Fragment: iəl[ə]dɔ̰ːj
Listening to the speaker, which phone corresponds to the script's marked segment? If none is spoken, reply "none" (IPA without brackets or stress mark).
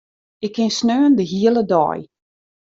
ə